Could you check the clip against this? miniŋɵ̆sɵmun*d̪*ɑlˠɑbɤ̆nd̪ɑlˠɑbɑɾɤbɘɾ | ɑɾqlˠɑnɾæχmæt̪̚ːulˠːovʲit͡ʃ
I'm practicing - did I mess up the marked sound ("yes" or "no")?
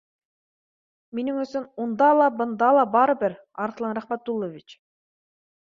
no